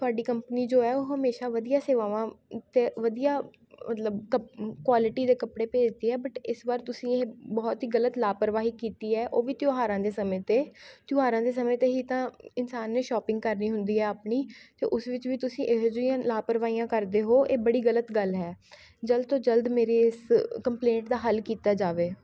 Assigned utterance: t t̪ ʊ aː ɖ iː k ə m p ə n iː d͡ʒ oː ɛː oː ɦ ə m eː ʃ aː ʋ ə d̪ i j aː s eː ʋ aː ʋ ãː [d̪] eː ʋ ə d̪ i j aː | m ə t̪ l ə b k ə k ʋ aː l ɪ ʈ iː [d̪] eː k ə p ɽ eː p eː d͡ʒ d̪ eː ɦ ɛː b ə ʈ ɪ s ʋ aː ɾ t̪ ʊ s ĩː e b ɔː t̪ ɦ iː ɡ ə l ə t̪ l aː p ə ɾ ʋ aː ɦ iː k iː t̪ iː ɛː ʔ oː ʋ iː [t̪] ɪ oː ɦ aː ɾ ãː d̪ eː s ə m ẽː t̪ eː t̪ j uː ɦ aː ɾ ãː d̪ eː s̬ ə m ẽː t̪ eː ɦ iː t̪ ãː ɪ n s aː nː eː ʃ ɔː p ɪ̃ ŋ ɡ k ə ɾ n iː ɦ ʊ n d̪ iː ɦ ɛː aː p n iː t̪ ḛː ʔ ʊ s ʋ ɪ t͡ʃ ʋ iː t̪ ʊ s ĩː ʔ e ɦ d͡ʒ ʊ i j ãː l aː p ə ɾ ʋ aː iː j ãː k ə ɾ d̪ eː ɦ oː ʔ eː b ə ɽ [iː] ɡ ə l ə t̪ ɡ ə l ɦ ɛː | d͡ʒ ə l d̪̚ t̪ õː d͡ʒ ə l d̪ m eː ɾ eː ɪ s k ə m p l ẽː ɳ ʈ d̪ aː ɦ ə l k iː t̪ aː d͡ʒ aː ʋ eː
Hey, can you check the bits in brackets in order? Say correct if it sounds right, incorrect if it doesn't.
incorrect: t̪, correct, correct, correct

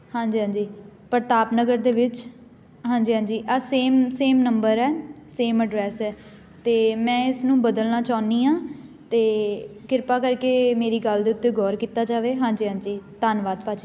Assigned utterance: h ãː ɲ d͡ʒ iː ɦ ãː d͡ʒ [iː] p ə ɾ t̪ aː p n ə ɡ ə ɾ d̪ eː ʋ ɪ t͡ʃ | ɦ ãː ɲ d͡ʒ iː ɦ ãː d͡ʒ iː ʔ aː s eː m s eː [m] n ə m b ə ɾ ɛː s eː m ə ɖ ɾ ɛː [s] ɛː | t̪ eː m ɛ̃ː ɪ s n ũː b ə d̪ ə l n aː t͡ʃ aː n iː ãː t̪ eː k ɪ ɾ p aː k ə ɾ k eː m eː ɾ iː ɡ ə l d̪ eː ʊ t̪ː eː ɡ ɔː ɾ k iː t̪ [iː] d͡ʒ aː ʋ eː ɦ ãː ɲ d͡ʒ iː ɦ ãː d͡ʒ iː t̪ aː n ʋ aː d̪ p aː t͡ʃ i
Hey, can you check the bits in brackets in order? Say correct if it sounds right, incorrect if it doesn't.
correct, correct, correct, incorrect: aː

